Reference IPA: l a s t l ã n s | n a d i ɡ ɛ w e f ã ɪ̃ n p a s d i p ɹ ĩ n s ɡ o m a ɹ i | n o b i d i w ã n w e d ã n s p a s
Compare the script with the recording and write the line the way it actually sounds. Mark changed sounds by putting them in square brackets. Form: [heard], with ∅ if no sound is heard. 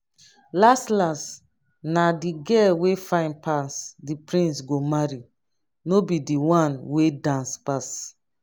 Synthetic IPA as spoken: l a s t l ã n s | n a d i ɡ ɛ w e f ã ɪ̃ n p a s d i p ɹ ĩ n s ɡ o m a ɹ i | n o b i d i w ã n w e d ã n s p a s

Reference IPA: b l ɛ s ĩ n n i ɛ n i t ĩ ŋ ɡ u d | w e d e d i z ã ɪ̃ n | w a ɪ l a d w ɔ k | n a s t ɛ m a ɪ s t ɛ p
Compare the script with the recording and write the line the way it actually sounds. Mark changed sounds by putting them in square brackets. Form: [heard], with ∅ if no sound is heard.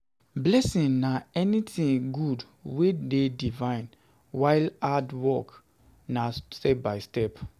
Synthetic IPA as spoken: b l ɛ s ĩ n n [a] ɛ n i t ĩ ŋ ɡ u d | w e d e d i [v] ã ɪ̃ n | w a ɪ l a d w ɔ k | n a s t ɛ [b] a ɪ s t ɛ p

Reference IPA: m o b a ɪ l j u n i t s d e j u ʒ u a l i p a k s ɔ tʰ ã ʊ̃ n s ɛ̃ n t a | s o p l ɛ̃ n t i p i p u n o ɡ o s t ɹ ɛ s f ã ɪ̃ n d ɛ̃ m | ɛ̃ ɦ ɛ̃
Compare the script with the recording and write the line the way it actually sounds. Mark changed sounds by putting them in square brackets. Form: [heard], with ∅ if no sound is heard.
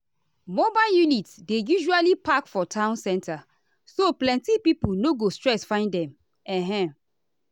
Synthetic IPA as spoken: m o b a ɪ l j u n i t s d e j u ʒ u a l i p a k [f] ɔ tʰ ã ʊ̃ n s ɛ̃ n t a | s o p l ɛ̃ n t i p i p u n o ɡ o s t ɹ ɛ s f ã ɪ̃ n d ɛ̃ m | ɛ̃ ɦ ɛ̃

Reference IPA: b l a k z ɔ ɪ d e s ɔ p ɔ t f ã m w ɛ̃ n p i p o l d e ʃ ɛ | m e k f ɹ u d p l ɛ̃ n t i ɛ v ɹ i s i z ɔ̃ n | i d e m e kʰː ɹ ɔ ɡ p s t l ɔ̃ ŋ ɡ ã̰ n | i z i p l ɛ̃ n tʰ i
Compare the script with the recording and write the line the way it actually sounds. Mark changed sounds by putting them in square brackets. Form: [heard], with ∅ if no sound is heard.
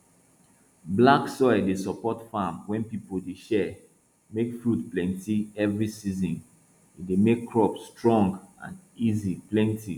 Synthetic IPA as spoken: b l a k [s] ɔ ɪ d e s ɔ p ɔ t f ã m w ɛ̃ n p i p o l d e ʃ ɛ | m e k f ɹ u d p l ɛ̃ n t i ɛ v ɹ i s i z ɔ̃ n | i d e m e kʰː ɹ ɔ [∅] p s t [ɹ] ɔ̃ ŋ ɡ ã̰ n | i z i p l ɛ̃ n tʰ i

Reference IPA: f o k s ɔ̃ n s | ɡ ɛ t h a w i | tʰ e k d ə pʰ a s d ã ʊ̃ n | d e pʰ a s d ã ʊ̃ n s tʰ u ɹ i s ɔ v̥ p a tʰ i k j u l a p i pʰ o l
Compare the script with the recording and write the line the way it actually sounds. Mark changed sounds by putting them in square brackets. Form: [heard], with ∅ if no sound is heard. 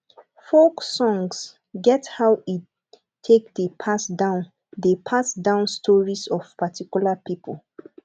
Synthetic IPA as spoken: f o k s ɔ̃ [ŋ] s | ɡ ɛ t h a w i | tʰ e k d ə pʰ a s d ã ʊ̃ n | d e pʰ a s d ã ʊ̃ n s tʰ [ɔ] ɹ i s ɔ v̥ p a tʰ i k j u l a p i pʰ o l

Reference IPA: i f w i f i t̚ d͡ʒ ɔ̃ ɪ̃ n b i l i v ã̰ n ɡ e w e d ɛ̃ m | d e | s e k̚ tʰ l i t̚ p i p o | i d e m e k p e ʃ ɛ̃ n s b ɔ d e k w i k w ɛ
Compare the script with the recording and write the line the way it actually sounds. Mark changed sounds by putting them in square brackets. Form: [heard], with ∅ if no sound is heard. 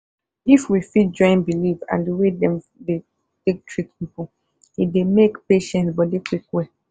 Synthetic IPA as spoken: i f w i f i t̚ d͡ʒ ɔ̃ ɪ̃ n b i l i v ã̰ n [d] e w e d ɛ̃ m | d e | [t] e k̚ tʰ [ɹ] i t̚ p i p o | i d e m e k p e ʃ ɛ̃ n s b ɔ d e k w i k w ɛ

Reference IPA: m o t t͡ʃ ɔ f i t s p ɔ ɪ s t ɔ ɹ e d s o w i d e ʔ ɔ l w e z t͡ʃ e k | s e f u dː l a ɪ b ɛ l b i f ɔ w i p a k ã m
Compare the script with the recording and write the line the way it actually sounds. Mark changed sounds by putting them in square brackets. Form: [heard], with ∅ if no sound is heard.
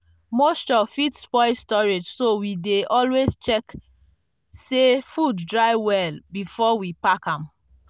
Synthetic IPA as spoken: m o [s] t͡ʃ ɔ f i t s p ɔ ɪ s t ɔ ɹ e [d͡ʒ] s o w i d e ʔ ɔ l w e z t͡ʃ [ɛ] k | s e f u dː [ɹ] a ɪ [w] ɛ l b i f ɔ w i p a k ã m

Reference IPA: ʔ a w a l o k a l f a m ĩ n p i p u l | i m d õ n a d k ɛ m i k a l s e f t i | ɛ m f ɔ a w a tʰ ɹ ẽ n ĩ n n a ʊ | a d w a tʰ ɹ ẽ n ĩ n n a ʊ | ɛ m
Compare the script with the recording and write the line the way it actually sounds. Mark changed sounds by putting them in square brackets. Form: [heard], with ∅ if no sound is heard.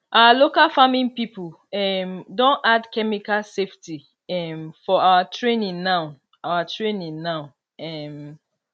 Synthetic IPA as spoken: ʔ a w a l o k a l f a m ĩ n p i p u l | [ɛ] m d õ n a d k ɛ m i k a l s e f t i | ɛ m f ɔ a w a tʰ ɹ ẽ n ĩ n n a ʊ | a [∅] w a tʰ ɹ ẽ n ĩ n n a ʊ | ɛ m

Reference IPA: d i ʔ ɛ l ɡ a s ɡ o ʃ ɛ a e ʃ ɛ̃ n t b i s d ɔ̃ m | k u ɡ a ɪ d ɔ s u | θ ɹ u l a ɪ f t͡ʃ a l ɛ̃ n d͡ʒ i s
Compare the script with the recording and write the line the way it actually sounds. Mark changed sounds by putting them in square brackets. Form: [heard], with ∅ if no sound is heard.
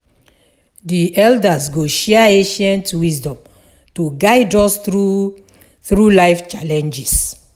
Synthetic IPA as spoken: d i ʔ ɛ l [d] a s ɡ o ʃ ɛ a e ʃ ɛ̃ n t [w] i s d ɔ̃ m | [t] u ɡ a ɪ d ɔ s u | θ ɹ u l a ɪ f t͡ʃ a l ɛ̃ n d͡ʒ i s

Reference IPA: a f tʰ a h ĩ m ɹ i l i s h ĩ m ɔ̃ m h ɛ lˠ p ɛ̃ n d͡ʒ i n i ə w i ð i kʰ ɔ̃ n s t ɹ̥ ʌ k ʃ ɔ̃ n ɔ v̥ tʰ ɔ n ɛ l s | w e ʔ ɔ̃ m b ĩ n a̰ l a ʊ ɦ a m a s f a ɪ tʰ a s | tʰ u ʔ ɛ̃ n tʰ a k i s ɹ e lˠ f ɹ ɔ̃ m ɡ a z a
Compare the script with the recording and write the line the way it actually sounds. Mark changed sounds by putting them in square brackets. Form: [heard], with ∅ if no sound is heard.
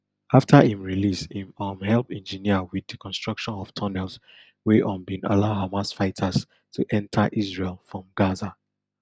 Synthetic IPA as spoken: a f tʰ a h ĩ m ɹ i l i s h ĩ m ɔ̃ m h ɛ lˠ p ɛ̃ n d͡ʒ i n i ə w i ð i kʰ ɔ̃ n s t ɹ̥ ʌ k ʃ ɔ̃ n ɔ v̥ tʰ ɔ n ɛ l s | w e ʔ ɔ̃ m b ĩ n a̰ l a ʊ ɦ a m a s f a ɪ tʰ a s | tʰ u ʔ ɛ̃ n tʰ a [ʔ] i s ɹ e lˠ f ɹ ɔ̃ m ɡ a z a

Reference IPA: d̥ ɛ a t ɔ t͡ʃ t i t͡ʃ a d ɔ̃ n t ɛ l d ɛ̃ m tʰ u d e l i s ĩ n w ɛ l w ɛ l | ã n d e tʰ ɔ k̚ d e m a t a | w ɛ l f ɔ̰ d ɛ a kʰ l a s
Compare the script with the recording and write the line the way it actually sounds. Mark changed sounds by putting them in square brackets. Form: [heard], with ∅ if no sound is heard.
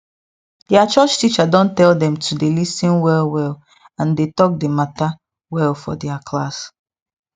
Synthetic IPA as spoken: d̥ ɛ a [t͡ʃ] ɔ t͡ʃ t i t͡ʃ a d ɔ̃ n t ɛ l d ɛ̃ m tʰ u d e l i s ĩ n w ɛ l w ɛ l | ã n d e [t] ɔ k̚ d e m a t a | w ɛ l f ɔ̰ d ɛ a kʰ l a s

